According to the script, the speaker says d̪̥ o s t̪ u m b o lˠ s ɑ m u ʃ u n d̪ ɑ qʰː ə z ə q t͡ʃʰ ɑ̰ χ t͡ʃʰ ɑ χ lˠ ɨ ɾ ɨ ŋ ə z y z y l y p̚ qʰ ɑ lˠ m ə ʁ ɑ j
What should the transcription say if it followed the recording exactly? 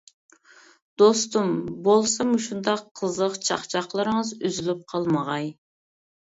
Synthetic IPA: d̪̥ o s t̪ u m b o lˠ s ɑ m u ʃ u n d̪ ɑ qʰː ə z ə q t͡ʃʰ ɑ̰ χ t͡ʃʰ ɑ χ lˠ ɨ ɾ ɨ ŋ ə z y z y l y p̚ qʰ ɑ lˠ m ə ʁ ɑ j